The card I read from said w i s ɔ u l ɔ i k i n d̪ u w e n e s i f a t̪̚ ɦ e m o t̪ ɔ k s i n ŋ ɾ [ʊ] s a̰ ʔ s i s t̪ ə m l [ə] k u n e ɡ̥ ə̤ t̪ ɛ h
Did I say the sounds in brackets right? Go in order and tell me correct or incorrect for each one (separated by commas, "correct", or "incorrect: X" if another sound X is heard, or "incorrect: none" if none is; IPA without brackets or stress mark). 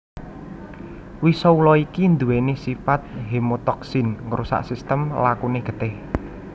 incorrect: u, incorrect: a